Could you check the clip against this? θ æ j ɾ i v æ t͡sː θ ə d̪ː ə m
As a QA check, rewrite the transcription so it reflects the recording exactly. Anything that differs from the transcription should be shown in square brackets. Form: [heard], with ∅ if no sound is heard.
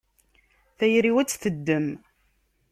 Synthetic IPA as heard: θ æ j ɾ i [w] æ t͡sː θ ə d̪ː ə m